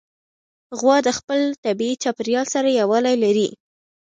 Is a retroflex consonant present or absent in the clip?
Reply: absent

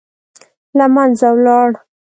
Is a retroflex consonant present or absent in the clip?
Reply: present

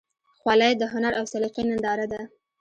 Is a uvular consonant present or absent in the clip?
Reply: present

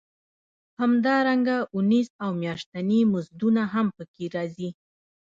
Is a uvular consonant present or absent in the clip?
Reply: absent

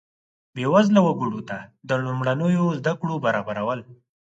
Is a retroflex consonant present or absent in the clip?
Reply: present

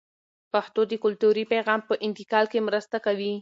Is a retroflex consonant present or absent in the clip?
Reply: absent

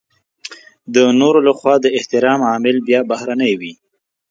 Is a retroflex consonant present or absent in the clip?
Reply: absent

